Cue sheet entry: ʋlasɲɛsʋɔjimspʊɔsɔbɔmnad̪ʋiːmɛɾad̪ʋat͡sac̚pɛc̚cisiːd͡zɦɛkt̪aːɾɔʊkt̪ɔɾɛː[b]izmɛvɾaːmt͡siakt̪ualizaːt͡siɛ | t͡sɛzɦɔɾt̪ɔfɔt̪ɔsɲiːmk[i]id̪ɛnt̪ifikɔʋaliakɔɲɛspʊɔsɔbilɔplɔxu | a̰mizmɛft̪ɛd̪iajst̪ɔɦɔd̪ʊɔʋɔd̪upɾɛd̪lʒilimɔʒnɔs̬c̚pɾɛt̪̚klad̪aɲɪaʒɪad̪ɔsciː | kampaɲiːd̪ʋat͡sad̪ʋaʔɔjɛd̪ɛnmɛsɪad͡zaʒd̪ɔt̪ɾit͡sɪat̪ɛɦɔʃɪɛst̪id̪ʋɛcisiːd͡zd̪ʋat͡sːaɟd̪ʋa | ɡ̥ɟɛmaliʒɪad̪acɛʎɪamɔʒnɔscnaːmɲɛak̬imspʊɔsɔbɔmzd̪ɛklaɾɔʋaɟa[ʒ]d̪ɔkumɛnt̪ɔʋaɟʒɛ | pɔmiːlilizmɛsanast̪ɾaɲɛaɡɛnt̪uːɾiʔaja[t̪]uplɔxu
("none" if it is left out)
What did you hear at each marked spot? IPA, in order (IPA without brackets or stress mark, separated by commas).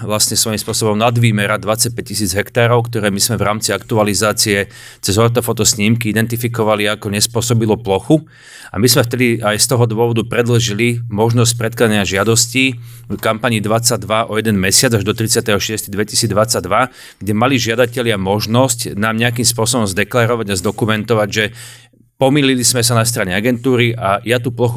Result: m, i, z, t̪